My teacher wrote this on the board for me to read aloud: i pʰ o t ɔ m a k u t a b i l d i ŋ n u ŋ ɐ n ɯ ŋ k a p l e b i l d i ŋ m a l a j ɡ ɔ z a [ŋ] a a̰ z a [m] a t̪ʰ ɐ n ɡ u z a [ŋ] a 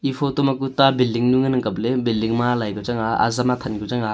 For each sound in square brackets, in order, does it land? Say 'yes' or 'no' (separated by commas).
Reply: yes, yes, yes